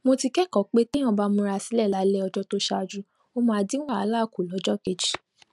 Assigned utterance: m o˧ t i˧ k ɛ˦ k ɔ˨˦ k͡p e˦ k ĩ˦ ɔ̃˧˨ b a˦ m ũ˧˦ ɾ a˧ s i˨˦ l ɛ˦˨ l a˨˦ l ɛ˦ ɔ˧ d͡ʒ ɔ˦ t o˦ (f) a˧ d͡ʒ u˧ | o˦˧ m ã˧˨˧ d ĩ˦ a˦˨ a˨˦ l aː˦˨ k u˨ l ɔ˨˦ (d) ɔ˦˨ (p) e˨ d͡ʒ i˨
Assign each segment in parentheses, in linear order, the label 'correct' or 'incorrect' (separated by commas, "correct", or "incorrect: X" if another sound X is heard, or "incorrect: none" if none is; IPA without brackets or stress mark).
incorrect: ʃ, incorrect: d͡ʒ, incorrect: k